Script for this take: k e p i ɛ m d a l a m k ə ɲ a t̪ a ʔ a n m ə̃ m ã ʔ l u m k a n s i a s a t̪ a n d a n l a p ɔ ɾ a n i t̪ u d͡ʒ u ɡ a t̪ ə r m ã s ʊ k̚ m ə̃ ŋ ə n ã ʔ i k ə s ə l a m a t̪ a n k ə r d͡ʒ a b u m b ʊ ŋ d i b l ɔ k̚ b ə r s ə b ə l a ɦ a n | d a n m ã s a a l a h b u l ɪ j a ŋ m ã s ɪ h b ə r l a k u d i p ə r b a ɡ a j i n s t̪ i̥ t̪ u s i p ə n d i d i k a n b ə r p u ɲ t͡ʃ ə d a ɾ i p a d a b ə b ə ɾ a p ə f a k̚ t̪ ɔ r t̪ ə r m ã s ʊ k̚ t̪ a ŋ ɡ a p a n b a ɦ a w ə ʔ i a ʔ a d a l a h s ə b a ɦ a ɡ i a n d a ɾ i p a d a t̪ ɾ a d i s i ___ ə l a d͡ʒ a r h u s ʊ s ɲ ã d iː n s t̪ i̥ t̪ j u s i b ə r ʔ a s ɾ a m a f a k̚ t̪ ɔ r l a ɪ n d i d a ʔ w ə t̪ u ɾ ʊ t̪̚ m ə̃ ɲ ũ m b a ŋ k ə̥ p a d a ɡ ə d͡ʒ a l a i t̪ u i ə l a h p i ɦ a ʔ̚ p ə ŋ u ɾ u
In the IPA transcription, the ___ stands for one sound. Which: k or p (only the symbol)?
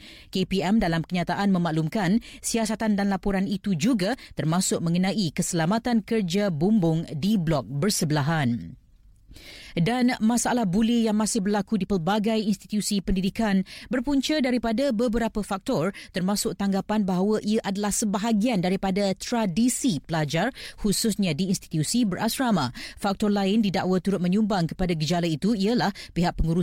p